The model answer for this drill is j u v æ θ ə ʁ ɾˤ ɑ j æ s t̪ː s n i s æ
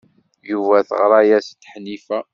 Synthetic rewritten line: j u v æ θ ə ʁ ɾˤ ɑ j æ s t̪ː ħ n i f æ

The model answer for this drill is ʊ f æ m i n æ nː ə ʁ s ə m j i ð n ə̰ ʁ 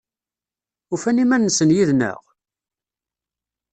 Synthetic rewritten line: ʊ f æ n i m æ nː ə s ə n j i ð n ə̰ ʁ

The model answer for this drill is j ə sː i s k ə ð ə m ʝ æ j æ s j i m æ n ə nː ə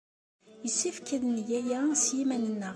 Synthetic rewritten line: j ə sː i f k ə ð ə n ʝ æ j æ s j i m æ n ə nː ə

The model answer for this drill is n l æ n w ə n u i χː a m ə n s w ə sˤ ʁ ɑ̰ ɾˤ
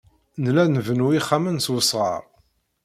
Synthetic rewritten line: n l æ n v ə n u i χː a m ə n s w ə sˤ ʁ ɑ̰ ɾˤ

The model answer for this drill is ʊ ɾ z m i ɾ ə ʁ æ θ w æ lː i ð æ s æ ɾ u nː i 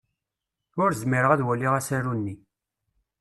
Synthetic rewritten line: ʊ ɾ z m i ɾ ə ʁ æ ð w æ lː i ʁ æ s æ ɾ u nː i

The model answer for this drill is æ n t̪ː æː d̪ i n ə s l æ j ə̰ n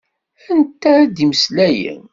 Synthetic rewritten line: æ n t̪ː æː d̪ i m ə s l æ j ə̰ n

